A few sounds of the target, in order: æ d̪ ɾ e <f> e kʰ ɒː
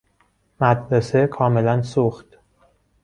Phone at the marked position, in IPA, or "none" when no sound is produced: s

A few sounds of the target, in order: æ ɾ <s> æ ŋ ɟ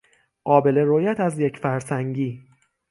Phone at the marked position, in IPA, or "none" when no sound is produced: s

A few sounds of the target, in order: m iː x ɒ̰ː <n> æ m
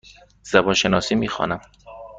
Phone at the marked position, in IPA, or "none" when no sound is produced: n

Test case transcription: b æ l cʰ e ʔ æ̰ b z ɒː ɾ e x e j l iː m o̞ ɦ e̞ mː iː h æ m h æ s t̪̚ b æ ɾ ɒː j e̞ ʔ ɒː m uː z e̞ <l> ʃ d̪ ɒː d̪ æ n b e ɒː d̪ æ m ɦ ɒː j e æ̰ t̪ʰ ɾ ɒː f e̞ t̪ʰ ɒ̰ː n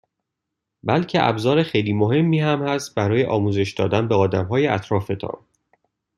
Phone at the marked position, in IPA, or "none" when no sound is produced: none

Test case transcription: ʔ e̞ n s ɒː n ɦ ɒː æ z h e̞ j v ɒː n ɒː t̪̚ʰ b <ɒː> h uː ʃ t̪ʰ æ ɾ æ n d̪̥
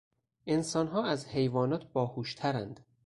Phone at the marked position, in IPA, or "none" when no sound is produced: ɒː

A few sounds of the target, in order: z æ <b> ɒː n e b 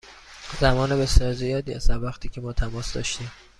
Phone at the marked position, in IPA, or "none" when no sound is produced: m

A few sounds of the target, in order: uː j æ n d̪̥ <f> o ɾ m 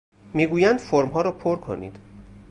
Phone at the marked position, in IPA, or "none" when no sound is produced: f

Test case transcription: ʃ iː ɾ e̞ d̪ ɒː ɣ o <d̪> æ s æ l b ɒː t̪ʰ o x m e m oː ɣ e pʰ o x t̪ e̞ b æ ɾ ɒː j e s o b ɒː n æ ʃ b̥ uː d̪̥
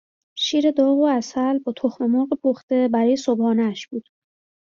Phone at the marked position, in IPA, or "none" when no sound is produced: none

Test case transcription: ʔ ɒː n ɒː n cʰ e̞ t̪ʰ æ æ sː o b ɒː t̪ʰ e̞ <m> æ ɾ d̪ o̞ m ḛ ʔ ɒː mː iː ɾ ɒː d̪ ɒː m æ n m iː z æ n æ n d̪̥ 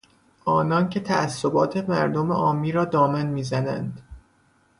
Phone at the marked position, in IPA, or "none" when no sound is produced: m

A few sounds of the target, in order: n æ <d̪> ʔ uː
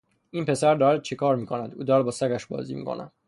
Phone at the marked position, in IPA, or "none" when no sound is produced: d̪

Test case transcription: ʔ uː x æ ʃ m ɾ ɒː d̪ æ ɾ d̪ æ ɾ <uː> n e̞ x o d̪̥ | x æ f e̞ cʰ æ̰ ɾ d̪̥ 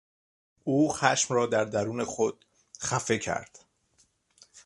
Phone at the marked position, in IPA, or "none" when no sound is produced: uː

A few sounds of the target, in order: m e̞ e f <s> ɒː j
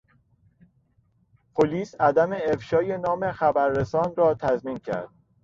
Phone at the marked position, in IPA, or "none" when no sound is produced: ʃ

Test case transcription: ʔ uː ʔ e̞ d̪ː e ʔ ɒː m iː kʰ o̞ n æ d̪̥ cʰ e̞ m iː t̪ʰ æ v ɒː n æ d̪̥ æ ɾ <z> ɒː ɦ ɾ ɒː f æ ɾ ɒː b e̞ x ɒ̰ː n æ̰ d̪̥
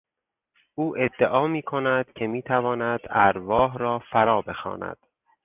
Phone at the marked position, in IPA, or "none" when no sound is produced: v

